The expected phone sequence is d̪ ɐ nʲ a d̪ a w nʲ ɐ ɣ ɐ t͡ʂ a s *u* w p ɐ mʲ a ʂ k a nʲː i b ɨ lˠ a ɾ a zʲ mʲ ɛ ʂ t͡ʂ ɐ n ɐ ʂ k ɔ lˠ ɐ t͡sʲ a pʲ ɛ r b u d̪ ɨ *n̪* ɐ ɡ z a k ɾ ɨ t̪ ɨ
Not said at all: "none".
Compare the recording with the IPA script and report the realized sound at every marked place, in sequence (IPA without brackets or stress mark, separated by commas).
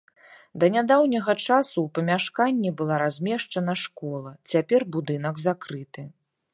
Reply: u, n̪